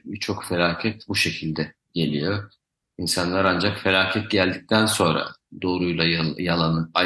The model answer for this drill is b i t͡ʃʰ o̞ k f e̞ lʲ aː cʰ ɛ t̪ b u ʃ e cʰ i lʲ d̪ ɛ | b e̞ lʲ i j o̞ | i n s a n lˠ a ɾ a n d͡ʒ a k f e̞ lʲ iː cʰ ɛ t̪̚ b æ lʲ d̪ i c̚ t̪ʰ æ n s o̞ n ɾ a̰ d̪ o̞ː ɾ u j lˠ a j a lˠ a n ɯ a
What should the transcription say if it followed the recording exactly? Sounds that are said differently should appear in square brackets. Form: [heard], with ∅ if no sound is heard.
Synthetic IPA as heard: b i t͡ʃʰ o̞ k f e̞ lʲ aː cʰ ɛ t̪ b u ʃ e cʰ i lʲ d̪ ɛ | [ɟ] e̞ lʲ i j o̞ | i n s a n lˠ a ɾ a n d͡ʒ a k f e̞ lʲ [aː] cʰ ɛ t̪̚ [ɟ] æ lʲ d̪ i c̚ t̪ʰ æ n s o̞ n ɾ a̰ d̪ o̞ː ɾ u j lˠ a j a lˠ a n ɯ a